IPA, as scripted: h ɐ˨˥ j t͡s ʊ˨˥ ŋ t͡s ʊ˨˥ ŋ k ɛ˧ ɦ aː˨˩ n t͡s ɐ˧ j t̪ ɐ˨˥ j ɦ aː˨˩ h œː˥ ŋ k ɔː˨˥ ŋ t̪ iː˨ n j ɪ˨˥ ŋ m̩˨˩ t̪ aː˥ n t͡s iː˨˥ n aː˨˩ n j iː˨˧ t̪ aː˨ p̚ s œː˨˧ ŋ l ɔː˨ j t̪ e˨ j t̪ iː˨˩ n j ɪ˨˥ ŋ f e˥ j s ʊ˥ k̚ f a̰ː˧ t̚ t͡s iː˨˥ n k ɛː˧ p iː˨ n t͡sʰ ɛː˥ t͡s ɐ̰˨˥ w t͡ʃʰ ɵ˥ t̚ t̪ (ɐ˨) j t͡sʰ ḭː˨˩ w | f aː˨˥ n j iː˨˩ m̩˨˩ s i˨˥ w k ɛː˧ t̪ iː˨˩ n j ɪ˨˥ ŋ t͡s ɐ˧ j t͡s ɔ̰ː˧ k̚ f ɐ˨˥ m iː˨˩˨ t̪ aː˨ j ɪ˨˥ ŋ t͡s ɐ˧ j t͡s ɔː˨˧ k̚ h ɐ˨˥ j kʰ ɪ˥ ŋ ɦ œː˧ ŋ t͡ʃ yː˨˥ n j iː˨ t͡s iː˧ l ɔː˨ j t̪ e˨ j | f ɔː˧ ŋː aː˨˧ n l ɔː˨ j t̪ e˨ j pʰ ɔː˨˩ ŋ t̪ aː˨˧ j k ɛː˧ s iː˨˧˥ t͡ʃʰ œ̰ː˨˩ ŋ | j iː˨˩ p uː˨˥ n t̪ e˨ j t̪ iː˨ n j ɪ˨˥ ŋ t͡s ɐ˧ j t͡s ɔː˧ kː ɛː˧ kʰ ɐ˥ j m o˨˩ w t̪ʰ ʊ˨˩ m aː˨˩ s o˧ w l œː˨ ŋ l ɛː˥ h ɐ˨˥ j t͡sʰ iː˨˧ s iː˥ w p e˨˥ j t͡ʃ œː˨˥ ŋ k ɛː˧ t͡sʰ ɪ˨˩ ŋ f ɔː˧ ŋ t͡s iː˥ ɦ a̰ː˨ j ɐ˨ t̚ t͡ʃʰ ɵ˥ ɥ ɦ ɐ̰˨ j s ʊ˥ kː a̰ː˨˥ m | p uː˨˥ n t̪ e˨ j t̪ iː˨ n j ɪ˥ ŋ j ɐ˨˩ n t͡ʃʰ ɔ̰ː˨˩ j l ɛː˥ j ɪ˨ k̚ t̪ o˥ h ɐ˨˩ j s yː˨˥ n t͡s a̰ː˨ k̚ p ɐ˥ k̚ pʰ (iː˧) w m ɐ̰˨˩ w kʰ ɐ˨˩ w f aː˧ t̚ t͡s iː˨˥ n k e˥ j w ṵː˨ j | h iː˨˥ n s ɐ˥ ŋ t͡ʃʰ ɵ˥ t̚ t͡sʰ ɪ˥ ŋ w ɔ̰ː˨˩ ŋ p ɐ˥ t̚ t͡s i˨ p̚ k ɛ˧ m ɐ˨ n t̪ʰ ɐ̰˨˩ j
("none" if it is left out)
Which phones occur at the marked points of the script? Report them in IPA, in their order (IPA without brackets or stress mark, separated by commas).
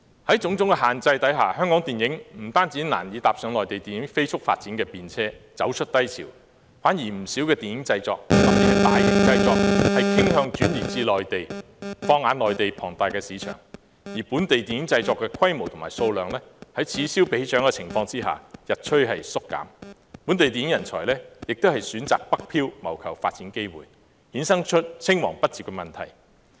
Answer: ɐ˥, iː˥